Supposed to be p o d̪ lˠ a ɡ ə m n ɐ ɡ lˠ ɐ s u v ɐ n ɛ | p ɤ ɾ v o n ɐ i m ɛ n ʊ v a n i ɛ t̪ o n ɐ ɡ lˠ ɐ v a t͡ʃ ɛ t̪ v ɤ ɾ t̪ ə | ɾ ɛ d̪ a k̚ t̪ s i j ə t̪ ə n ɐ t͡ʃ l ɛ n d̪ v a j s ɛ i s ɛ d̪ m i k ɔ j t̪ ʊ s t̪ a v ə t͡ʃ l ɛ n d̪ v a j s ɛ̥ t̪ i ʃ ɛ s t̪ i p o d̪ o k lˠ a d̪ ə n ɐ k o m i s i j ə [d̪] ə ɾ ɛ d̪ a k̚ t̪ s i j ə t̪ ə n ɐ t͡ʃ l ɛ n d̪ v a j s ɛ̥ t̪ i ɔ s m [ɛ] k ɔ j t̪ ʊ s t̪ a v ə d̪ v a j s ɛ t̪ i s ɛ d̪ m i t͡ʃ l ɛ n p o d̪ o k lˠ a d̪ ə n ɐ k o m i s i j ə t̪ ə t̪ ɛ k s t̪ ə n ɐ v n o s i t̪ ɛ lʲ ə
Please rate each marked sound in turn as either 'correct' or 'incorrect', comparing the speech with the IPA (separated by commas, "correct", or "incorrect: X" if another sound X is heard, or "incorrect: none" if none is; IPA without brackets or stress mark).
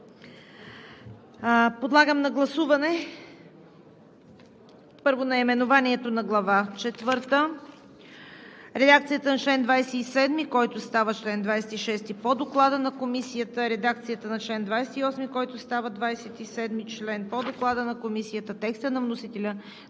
incorrect: t̪, incorrect: i